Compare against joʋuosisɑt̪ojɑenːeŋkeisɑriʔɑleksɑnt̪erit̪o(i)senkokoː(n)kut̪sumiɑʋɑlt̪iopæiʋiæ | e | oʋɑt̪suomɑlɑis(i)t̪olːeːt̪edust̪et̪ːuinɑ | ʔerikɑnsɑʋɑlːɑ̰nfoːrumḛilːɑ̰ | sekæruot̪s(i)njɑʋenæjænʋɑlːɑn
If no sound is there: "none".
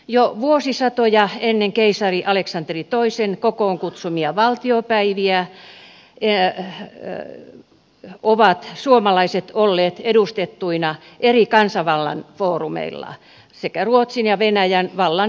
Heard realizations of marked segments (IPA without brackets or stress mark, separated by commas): i, ŋ, e, i